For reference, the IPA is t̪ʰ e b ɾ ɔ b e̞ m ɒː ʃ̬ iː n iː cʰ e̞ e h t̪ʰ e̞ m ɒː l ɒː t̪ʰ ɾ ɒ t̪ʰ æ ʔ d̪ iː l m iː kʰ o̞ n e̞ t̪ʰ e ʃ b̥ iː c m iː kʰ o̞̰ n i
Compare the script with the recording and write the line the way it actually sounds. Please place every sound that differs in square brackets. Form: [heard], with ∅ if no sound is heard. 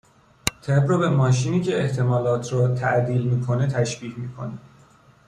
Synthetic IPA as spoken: t̪ʰ e b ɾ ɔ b e̞ m ɒː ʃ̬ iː n iː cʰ e̞ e h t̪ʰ e̞ m ɒː l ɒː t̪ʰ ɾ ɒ t̪ʰ æ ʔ d̪ iː l m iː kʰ o̞ n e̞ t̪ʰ [æ] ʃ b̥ iː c m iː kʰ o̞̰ n i